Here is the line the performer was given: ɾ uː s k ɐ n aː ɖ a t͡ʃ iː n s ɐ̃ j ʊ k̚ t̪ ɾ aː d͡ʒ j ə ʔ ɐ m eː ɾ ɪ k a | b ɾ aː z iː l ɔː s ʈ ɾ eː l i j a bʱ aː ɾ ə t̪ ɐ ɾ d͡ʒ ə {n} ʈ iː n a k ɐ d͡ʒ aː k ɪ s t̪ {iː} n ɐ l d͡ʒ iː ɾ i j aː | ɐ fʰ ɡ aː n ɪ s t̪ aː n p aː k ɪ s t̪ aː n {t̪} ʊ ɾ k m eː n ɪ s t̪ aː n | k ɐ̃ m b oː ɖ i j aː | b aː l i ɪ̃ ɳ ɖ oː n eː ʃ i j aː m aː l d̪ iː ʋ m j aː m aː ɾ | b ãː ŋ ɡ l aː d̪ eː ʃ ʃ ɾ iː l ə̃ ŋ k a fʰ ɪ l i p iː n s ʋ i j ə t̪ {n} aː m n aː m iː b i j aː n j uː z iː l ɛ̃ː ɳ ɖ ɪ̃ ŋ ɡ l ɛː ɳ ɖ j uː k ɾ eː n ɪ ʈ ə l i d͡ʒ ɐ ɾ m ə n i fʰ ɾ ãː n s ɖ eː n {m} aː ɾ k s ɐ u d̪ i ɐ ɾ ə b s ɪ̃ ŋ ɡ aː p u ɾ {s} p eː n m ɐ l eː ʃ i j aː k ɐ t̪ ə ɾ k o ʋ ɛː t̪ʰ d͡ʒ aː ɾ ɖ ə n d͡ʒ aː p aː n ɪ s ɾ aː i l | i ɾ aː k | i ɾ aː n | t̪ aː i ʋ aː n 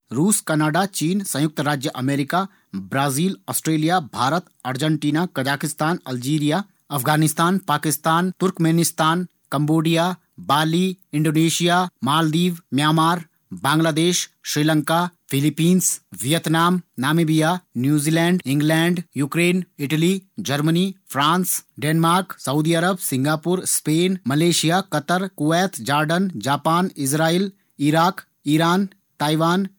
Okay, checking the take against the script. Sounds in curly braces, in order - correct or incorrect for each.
incorrect, incorrect, correct, correct, correct, correct

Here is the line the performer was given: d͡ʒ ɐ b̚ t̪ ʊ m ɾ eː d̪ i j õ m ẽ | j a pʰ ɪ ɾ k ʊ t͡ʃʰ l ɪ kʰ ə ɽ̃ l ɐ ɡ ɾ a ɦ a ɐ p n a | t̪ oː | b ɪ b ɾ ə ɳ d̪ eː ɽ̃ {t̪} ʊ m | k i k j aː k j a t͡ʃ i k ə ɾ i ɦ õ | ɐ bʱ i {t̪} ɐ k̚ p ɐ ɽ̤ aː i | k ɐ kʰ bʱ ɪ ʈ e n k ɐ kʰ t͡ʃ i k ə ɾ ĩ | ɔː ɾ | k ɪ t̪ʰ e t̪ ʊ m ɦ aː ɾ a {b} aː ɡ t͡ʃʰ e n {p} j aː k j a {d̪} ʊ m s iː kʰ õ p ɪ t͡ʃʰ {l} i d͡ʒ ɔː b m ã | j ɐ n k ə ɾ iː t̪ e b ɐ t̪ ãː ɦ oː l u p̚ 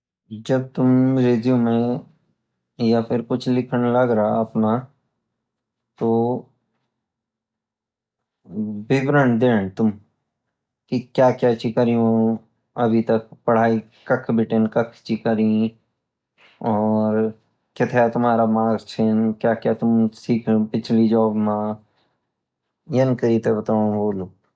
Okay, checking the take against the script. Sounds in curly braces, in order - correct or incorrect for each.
correct, correct, incorrect, incorrect, incorrect, correct

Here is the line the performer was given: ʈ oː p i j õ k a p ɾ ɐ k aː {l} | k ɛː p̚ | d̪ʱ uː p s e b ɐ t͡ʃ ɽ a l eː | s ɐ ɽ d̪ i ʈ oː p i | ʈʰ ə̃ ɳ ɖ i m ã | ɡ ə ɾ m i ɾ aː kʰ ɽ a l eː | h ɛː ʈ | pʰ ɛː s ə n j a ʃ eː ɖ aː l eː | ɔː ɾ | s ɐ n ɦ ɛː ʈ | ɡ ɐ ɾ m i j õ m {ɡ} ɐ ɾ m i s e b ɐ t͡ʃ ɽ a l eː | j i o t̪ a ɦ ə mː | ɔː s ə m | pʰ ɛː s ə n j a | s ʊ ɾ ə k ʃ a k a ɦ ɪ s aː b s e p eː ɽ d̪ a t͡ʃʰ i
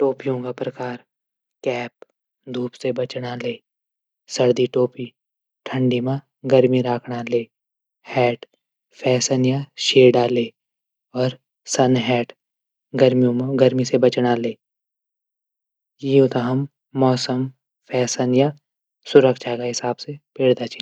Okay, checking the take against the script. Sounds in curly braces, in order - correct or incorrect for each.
incorrect, correct

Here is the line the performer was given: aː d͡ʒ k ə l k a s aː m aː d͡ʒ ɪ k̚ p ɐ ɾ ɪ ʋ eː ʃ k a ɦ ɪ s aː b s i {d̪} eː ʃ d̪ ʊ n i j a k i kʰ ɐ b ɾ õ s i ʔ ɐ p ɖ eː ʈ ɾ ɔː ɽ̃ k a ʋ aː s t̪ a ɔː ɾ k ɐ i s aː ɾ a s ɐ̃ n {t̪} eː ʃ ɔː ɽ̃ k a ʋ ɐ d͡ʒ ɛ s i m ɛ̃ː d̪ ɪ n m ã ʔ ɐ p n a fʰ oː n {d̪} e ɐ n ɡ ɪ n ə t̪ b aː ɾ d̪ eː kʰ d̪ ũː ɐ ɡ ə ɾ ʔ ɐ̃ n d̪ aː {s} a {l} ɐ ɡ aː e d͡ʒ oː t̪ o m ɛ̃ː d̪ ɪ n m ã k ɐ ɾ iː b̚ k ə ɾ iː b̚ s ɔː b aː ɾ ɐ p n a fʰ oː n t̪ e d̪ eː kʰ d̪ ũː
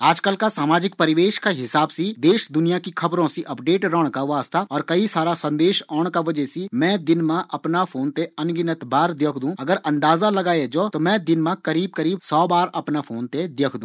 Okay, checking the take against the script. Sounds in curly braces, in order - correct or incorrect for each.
correct, incorrect, incorrect, incorrect, correct

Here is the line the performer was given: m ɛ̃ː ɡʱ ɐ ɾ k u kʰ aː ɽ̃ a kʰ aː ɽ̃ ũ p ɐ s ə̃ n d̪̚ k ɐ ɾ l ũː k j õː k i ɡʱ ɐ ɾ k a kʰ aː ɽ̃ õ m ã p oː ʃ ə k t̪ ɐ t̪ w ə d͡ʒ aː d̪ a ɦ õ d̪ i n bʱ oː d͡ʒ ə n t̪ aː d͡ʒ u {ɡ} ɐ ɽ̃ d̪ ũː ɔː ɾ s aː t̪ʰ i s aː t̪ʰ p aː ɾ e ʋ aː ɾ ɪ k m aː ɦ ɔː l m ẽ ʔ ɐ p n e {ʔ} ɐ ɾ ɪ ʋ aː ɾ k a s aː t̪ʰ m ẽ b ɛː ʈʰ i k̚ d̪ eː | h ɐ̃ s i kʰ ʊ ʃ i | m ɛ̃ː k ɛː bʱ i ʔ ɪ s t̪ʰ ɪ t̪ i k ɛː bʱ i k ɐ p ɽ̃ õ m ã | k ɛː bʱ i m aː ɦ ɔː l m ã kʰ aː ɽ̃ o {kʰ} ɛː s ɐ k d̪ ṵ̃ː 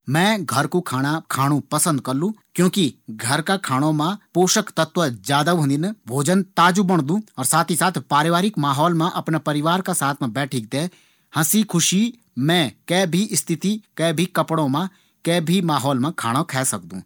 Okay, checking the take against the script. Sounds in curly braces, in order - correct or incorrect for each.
incorrect, incorrect, correct

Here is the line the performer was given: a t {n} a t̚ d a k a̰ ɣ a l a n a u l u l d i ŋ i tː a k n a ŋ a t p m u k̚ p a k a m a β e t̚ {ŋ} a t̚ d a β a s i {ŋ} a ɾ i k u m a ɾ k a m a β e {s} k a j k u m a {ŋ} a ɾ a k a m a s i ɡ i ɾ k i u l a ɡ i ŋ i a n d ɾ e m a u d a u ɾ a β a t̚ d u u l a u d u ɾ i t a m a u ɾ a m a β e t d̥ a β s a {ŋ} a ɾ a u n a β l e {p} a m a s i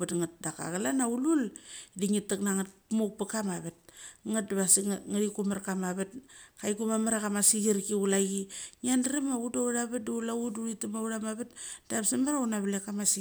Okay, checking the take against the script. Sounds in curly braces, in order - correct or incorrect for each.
incorrect, correct, correct, incorrect, incorrect, incorrect, incorrect

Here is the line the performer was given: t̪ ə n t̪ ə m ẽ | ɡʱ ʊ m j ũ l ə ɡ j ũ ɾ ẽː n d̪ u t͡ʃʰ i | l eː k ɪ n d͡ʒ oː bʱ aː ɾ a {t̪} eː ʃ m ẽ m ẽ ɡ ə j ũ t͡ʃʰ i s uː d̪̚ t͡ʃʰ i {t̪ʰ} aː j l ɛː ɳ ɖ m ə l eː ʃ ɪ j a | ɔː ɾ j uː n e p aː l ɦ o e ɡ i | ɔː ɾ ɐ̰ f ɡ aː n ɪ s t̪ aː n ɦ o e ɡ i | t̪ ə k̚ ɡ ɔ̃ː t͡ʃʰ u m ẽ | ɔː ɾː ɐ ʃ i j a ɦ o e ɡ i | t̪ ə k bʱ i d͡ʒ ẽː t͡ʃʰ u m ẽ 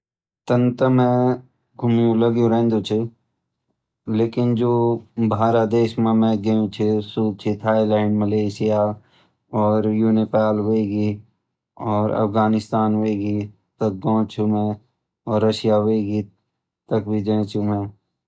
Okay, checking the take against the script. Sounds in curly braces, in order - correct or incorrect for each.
incorrect, correct

